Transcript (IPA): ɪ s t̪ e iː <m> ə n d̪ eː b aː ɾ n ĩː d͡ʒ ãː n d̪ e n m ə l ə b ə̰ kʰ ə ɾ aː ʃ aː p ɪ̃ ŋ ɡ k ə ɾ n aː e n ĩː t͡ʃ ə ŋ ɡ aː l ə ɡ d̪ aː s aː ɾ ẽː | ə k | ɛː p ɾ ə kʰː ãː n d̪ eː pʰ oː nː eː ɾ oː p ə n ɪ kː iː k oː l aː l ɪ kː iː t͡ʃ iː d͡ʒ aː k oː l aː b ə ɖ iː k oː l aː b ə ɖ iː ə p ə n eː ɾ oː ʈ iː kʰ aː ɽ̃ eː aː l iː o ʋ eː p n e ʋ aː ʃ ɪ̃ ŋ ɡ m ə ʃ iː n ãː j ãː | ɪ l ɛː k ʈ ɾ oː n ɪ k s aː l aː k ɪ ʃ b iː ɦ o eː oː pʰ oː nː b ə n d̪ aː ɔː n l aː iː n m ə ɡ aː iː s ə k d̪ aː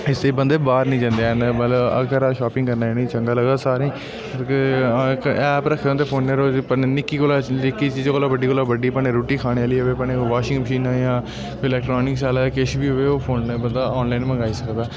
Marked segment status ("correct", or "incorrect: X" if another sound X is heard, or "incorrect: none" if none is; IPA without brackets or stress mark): incorrect: b